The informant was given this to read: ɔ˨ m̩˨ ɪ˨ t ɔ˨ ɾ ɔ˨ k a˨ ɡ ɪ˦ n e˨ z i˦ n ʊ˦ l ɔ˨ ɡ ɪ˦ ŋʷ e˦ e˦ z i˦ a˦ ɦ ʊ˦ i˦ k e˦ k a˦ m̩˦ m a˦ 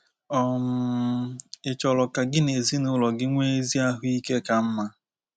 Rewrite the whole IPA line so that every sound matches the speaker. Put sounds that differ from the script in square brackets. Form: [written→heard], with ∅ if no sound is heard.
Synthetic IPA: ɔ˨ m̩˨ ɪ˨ [t→t͡ʃ] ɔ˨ [ɾ→l] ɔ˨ k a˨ ɡ ɪ˦ n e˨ z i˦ n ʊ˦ l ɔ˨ ɡ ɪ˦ ŋʷ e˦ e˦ z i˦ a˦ ɦ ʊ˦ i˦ k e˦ k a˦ m̩˦ m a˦